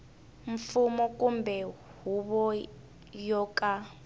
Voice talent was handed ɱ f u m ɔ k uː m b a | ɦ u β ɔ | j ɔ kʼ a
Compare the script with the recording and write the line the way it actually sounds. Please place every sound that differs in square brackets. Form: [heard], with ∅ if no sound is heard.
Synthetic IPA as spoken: ɱ f u m ɔ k [u] m b [ɛ] | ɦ u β ɔ | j ɔ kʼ a